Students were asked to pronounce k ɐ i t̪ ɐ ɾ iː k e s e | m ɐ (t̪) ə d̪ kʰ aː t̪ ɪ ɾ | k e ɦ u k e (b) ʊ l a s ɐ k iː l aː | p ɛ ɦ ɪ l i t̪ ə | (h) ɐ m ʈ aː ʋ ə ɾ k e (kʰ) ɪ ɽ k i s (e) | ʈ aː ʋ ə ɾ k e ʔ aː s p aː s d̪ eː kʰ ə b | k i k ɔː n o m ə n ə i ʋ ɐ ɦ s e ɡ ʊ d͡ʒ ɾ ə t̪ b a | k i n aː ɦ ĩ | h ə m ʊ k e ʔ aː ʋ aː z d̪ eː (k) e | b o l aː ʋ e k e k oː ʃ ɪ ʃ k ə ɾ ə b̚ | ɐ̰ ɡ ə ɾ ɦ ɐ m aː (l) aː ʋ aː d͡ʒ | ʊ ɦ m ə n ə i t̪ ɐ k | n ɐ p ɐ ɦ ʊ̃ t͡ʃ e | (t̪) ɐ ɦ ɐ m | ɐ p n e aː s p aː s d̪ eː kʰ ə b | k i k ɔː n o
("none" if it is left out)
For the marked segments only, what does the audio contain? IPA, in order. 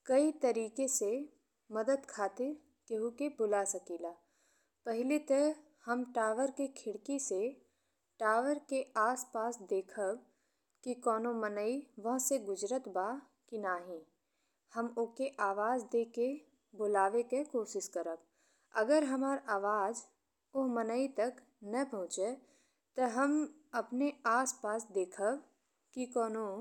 d̪, b, h, kʰ, e, k, ɾ, t̪

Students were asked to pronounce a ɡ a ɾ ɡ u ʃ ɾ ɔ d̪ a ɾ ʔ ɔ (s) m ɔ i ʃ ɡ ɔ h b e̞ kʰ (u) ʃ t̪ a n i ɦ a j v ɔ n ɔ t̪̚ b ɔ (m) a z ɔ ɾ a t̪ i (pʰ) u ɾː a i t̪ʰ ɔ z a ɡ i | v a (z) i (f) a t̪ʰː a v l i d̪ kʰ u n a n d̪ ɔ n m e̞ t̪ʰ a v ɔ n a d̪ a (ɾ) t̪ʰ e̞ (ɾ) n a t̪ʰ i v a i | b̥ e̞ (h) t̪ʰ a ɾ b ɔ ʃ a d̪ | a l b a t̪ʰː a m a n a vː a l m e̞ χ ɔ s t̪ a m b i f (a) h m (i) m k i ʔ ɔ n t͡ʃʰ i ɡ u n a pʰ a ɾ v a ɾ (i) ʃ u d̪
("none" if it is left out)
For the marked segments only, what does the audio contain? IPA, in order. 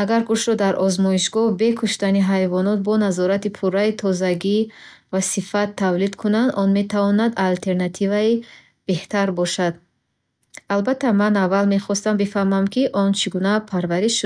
z, u, n, pʰ, s, f, l, ɾ, h, a, a, i

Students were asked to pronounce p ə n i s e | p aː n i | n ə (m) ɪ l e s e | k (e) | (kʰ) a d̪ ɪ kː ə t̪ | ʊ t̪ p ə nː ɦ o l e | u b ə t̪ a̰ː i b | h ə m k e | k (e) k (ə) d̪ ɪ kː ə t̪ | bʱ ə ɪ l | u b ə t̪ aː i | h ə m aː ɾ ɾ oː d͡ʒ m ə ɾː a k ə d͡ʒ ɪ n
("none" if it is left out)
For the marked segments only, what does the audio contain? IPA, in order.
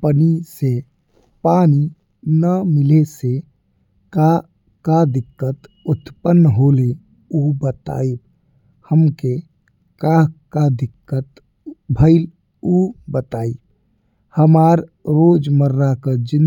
m, a, k, a, a

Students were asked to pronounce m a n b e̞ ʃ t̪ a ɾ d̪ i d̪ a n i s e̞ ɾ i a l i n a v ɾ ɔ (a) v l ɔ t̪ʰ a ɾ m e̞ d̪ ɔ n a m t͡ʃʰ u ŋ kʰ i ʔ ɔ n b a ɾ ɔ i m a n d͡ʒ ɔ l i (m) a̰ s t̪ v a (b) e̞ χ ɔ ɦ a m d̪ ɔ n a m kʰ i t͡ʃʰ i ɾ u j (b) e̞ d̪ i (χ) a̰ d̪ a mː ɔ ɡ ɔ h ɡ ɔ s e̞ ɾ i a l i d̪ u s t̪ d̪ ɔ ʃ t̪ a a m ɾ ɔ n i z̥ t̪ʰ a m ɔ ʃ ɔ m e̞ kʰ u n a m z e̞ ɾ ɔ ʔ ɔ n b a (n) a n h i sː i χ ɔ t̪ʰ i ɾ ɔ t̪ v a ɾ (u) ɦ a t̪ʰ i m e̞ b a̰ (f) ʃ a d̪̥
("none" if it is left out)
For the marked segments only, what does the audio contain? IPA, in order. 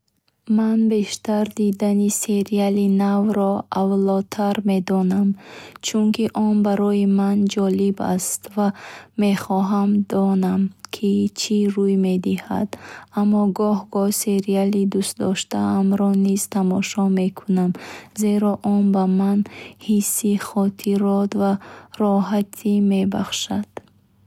a, b, m, m, h, m, ɔ, χ

